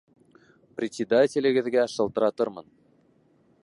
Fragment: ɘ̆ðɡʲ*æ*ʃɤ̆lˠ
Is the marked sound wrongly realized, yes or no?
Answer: no